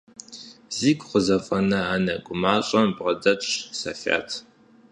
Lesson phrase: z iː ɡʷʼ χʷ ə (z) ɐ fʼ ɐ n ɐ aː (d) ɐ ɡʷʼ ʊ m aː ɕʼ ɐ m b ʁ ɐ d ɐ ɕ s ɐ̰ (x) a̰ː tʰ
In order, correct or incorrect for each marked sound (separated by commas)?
correct, incorrect, incorrect